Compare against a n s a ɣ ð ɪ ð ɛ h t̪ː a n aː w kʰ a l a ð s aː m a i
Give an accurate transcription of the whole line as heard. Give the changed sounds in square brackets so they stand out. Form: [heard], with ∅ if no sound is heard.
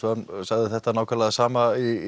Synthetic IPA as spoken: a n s a ɣ ð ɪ [θ] ɛ h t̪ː a n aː w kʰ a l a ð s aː m a i

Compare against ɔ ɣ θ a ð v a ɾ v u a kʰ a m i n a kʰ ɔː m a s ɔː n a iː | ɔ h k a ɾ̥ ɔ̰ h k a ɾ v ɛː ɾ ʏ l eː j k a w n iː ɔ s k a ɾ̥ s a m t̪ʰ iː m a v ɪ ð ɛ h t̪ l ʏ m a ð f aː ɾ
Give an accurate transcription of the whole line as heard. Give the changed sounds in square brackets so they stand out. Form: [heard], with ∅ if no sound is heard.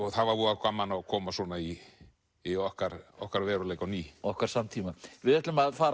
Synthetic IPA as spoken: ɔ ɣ θ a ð v a ɾ v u a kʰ a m [a] n a kʰ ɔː m a s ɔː n a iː | ɔ h k a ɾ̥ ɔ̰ h k a ɾ v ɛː ɾ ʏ l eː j k a w n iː ɔ [h] k a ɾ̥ s a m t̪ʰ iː m a v ɪ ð ɛ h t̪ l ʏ m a ð f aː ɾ

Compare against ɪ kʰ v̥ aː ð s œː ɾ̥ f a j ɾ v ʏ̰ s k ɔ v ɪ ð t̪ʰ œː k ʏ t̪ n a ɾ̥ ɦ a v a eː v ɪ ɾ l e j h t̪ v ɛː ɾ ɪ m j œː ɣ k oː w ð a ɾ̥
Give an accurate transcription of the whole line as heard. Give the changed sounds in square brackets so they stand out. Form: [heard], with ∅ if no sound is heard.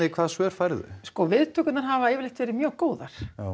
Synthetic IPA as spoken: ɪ kʰ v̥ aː ð s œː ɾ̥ f a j ɾ [ð] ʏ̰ s k ɔ v ɪ ð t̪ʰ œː k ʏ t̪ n a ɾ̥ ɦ a v a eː v ɪ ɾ l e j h t̪ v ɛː ɾ ɪ m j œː ɣ k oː w ð a ɾ̥

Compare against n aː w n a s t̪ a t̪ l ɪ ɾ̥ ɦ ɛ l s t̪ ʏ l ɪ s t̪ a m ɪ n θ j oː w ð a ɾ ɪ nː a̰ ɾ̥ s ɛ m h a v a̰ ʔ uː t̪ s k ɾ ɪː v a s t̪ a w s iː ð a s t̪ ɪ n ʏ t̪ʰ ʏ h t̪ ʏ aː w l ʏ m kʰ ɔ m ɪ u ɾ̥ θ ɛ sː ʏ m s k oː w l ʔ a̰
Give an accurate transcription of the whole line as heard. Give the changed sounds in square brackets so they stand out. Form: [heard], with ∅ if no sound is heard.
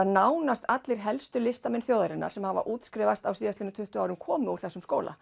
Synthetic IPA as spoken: n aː w n a s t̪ a t̪ l ɪ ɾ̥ ɦ ɛ l s t̪ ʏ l ɪ s t̪ a m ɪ n θ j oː w ð a ɾ ɪ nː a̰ ɾ̥ s ɛ m h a v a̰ ʔ uː t̪ s k ɾ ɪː v a s t̪ a w s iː ð a s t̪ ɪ n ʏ t̪ʰ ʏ h t̪ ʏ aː w [ɾ] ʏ m kʰ [ɔː] m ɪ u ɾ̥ θ ɛ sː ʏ m s k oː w l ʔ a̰

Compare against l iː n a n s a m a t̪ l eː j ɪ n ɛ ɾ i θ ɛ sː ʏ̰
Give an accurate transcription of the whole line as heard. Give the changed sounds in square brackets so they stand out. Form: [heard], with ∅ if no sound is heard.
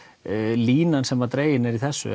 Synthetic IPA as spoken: l iː n a n s [ɛ] m a t̪ [ɾ] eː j ɪ n ɛ ɾ i θ ɛ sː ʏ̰

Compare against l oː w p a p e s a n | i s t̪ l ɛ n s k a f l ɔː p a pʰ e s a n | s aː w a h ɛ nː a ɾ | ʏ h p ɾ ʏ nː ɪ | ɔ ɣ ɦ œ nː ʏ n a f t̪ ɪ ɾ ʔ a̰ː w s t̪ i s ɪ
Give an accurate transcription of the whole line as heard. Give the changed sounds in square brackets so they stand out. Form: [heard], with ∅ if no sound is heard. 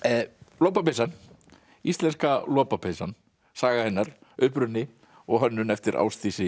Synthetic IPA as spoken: l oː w p a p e s a n | i s t̪ l ɛ n s k a [∅] l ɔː p a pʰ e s a n | s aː [ɣ] a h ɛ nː a ɾ | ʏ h p ɾ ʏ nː ɪ | ɔ ɣ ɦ œ nː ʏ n [ɛ] f t̪ ɪ ɾ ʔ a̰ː w s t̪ i s ɪ

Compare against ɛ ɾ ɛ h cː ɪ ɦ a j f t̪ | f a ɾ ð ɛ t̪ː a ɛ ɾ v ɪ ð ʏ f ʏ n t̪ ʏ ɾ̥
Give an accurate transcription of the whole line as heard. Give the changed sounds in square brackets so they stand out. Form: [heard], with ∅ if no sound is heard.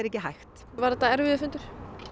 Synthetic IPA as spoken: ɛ ɾ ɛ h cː ɪ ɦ a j [x] t̪ | [v] a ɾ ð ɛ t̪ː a ɛ ɾ v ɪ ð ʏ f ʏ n t̪ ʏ ɾ̥

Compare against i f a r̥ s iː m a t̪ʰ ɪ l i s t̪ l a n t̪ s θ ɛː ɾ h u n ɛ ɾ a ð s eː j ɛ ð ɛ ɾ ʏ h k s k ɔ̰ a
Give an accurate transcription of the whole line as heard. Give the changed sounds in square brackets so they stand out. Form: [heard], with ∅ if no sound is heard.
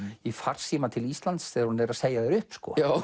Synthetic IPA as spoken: i f a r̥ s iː m a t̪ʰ ɪ l i s t̪ l a n t̪ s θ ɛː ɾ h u n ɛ ɾ a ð s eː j [a] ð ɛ ɾ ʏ h [p] s k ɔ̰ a

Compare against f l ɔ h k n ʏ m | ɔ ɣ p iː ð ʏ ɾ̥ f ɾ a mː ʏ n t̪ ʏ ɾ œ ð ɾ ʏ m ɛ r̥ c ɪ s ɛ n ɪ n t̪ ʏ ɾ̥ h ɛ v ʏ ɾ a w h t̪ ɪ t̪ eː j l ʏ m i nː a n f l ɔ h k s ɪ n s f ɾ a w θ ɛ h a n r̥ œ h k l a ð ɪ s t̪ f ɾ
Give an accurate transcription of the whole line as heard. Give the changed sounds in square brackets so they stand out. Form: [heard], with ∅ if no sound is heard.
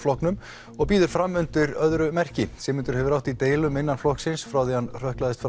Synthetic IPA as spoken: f l ɔ h k n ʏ m | ɔ ɣ p iː ð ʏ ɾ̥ f ɾ a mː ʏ n t̪ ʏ ɾ œ ð ɾ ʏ m ɛ r̥ c ɪ s ɛ [m] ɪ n t̪ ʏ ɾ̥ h ɛ v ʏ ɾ a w h t̪ [i] t̪ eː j l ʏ m [ɪ] nː a n f l ɔ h k s ɪ n s f ɾ a w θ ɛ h a n r̥ œ h k l a ð ɪ s t̪ f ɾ

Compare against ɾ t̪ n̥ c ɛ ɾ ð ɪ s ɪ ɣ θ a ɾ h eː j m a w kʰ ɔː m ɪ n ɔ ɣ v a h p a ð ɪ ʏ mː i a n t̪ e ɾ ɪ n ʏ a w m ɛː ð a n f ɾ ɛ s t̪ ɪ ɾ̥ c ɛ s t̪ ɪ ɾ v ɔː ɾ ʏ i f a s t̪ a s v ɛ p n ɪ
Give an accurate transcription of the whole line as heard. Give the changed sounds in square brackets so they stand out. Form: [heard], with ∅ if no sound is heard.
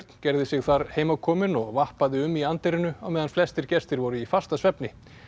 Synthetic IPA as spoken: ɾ t̪ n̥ c ɛ ɾ ð ɪ s ɪ ɣ θ a ɾ h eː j m a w kʰ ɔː m ɪ n ɔ ɣ v a h p a ð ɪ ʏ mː i a n t̪ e ɾ ɪ n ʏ a w m ɛː ð a n f [l] ɛ s t̪ ɪ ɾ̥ c ɛ s t̪ ɪ ɾ v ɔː ɾ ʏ i f a s t̪ a s v ɛ p n ɪ

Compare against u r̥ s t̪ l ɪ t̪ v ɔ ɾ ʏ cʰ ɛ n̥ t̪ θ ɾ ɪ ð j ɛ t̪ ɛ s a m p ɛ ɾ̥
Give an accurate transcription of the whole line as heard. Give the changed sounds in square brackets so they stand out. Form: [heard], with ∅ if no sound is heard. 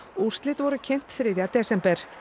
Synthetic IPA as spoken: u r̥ s t̪ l ɪ t̪ v ɔ ɾ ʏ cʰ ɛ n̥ t̪ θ ɾ ɪ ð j [a] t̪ ɛ s [ɛ] m p ɛ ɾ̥

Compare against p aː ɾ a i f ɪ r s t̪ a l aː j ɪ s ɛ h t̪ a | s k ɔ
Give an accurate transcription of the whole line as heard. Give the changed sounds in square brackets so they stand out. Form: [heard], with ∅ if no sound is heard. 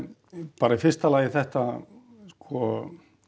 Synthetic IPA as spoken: p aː ɾ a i f ɪ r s t̪ a l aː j ɪ [θ] ɛ h t̪ a | s k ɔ

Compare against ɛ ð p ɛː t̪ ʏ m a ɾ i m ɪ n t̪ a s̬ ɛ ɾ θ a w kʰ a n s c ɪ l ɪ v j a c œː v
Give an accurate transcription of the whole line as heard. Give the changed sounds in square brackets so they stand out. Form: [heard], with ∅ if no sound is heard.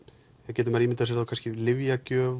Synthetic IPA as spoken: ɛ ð [c] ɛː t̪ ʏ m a ɾ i m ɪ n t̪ a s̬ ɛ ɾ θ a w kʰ a n s c ɪ l ɪ v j a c œː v

